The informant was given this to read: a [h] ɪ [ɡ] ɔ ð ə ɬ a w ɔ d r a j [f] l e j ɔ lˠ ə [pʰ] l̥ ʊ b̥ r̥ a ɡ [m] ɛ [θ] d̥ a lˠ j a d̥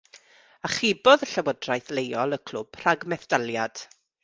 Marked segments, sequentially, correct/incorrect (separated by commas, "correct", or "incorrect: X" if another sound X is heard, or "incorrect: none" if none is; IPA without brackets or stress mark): incorrect: χ, incorrect: b, incorrect: θ, incorrect: kʰ, correct, correct